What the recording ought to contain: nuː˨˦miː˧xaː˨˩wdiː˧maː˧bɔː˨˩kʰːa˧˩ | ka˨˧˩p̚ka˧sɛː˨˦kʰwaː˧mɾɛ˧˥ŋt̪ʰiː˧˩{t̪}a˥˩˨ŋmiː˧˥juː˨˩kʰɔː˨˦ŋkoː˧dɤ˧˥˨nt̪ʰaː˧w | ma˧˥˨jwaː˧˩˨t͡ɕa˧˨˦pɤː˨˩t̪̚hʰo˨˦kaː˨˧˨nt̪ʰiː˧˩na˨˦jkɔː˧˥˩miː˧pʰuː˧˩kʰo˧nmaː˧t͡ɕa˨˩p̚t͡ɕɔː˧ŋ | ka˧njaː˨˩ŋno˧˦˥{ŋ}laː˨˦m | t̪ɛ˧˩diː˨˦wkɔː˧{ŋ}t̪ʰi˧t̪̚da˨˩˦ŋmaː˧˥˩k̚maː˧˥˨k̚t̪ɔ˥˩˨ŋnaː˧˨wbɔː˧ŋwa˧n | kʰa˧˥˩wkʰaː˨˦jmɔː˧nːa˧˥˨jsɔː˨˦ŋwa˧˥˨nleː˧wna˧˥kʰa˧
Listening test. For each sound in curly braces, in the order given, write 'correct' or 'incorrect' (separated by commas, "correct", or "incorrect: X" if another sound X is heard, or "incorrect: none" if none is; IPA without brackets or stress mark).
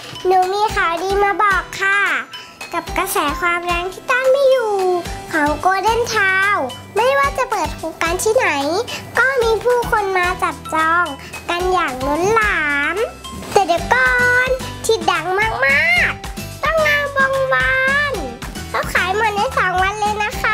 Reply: correct, incorrect: n, incorrect: n